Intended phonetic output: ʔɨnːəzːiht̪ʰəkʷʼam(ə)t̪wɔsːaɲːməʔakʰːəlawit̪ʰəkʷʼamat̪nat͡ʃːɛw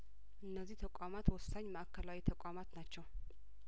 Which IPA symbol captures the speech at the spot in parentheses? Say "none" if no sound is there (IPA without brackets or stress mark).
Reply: a